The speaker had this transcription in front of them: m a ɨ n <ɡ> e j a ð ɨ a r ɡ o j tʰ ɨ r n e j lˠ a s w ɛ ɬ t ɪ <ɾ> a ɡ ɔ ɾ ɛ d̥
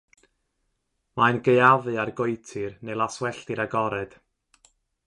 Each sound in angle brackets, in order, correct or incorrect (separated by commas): correct, correct